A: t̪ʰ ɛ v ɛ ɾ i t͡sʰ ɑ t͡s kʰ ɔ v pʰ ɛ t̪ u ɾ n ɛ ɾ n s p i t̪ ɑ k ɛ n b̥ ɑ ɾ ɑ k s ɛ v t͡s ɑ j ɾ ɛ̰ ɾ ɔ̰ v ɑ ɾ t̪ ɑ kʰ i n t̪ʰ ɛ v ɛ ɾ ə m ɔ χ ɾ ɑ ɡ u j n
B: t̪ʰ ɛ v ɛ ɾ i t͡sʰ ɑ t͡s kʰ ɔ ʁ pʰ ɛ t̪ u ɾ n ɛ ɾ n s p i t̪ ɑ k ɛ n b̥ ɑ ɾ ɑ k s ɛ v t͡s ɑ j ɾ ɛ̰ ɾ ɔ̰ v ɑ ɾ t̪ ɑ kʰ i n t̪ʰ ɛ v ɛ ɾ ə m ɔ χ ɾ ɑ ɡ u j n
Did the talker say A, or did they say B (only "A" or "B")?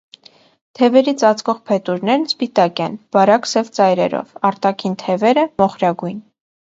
B